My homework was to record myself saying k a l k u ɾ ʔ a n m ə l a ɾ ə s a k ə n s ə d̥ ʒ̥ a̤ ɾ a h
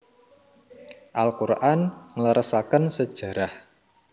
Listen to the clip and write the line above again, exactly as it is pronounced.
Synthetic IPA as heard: ʔ a l k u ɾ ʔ a n ŋ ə l ə ɾ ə s a k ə n s ə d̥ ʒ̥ a̤ ɾ a h